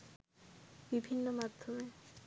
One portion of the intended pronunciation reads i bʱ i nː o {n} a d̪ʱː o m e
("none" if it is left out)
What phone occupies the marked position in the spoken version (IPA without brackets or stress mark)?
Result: m